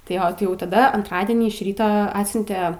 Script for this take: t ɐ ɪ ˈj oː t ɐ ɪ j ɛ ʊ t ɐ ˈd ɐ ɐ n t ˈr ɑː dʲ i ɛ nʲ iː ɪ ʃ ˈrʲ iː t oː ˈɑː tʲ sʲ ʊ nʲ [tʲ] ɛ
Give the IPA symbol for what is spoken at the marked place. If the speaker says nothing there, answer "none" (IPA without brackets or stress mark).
tʲ